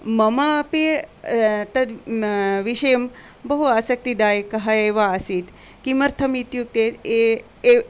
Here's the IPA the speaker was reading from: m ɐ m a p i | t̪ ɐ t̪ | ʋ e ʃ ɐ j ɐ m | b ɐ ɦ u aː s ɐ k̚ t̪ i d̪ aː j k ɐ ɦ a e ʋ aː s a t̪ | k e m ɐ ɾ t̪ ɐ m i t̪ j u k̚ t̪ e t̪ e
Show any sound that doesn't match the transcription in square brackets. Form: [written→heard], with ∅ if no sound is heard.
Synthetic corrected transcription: m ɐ m a p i | t̪ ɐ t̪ | ʋ [e→i] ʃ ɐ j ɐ m | b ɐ ɦ u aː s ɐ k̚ t̪ i d̪ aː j k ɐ ɦ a e ʋ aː s [a→i] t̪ | k [e→i] m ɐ ɾ [t̪→t̪ʰ] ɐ m i t̪ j u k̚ t̪ e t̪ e